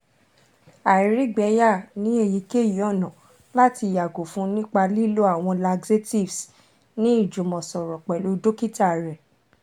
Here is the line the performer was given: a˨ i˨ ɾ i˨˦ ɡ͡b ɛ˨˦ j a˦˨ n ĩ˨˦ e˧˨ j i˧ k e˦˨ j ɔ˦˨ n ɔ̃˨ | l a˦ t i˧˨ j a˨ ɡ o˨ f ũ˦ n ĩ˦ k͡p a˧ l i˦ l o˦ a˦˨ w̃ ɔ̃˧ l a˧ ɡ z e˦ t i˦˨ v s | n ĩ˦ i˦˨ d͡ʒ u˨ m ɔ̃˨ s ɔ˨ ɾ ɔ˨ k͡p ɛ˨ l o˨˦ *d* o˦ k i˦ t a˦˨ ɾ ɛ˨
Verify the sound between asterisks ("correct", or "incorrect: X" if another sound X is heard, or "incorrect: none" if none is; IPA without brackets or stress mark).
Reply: correct